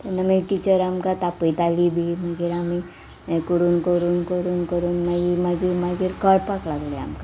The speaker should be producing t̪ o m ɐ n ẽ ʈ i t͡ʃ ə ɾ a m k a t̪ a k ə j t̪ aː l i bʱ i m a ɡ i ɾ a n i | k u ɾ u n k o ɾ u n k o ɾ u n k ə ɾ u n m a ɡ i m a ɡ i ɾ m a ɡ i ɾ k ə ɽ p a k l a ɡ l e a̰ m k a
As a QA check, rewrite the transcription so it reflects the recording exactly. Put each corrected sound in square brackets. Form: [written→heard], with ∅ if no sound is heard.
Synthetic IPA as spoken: t̪ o [m→n] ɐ [n→m] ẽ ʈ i t͡ʃ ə ɾ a m k a t̪ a [k→p] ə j t̪ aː l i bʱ i m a ɡ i ɾ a [n→m] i | k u ɾ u n k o ɾ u n k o ɾ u n k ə ɾ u n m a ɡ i m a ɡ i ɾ m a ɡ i ɾ k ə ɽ p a k l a ɡ l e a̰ m k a